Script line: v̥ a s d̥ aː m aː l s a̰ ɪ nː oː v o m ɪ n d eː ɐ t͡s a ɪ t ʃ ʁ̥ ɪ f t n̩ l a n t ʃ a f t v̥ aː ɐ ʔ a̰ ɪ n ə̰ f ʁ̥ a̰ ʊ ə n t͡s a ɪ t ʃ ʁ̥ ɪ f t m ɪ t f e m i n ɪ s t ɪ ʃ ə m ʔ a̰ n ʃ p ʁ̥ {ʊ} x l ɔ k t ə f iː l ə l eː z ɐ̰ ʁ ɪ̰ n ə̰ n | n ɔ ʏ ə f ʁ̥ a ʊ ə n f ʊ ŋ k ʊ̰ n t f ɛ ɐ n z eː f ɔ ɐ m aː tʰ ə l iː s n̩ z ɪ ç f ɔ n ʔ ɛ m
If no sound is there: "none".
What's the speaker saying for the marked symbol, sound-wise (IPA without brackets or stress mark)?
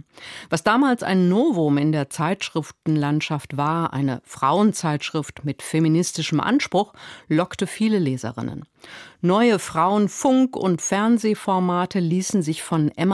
ʊ